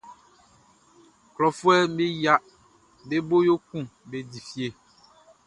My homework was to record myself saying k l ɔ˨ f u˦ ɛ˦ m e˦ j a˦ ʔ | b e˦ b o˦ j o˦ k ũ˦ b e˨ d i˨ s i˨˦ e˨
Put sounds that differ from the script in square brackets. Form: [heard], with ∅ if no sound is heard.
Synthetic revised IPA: k l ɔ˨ f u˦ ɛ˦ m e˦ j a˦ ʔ | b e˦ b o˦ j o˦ k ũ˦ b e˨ d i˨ [f] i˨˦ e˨